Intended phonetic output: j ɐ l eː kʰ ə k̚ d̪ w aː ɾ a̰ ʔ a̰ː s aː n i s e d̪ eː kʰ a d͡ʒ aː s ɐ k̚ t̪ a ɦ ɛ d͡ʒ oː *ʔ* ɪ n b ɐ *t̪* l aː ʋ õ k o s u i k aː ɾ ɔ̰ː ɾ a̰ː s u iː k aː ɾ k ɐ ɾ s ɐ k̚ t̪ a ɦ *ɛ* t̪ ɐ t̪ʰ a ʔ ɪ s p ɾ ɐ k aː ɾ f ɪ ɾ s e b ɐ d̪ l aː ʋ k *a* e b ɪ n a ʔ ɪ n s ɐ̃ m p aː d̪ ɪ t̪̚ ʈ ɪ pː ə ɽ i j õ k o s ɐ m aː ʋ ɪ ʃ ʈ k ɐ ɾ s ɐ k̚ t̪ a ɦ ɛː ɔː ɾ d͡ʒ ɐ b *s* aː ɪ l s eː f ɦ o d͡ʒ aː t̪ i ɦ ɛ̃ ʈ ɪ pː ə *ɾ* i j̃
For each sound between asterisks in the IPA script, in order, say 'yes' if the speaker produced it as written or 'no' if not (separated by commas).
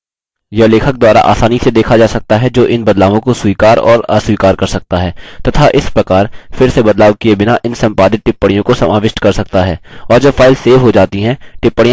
yes, no, no, no, no, no